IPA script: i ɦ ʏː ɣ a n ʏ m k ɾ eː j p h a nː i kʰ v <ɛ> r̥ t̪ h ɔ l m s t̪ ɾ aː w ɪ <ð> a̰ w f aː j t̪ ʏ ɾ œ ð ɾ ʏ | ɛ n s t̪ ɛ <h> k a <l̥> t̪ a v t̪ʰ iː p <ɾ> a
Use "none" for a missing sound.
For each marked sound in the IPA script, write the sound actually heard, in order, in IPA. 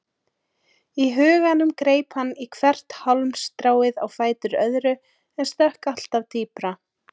ɛ, ð, h, l̥, ɾ

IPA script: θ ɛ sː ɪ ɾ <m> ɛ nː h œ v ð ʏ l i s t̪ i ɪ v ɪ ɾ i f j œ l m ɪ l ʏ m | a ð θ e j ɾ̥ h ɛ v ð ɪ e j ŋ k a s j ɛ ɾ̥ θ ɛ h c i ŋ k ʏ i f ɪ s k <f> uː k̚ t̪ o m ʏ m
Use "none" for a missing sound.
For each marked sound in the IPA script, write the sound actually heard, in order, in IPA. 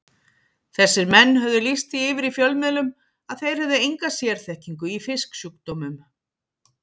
m, s

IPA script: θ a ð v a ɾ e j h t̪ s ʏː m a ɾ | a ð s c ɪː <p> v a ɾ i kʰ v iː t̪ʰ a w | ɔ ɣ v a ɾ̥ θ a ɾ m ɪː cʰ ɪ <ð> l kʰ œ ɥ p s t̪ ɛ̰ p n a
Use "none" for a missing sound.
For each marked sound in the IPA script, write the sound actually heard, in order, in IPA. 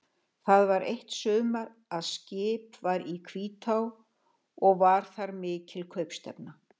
p, none

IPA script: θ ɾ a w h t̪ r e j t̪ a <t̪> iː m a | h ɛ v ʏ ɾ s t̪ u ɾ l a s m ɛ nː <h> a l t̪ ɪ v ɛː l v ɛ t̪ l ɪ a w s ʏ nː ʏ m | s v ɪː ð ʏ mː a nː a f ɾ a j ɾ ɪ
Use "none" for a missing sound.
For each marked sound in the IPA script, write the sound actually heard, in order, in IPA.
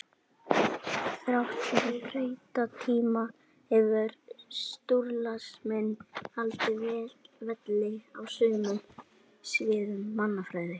t̪ʰ, h

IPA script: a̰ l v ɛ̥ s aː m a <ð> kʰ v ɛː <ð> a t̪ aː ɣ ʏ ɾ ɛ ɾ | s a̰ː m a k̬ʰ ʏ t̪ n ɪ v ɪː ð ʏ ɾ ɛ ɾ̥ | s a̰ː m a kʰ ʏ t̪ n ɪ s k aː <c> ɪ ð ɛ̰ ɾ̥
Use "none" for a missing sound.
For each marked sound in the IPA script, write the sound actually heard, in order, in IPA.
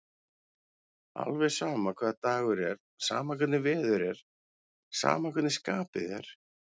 none, ð, p

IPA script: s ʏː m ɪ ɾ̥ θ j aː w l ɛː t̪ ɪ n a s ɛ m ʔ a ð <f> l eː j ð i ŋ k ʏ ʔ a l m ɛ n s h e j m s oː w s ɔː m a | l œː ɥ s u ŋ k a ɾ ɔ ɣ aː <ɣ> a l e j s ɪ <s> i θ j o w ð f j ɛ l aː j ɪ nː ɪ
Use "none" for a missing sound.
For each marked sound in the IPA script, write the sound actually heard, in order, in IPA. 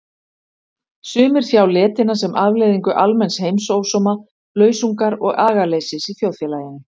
v, ɣ, s

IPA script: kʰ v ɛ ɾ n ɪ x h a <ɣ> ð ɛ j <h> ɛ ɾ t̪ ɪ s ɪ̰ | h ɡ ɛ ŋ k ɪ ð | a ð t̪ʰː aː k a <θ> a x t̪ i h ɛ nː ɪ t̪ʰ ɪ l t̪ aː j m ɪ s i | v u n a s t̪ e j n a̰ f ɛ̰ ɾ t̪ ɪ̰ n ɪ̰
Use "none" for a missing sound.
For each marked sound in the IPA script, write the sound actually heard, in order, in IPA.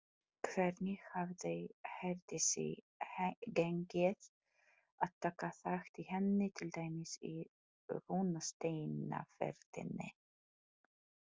v, h, θ

